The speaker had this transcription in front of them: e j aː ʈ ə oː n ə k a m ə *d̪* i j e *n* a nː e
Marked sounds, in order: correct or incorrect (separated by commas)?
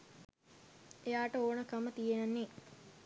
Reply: incorrect, correct